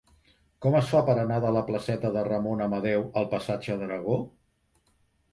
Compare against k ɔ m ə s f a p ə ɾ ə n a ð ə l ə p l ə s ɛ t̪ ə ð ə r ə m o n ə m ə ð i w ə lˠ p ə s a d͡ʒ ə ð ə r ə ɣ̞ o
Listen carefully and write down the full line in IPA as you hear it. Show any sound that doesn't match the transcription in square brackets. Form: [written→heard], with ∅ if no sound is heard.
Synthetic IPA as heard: k ɔ m ə s f a p ə ɾ ə n a ð ə l ə p l ə s ɛ t̪ ə ð ə r ə m o n ə m ə ð [i→ɛ] w ə lˠ p ə s a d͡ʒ ə ð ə [r→ɾ] ə ɣ̞ o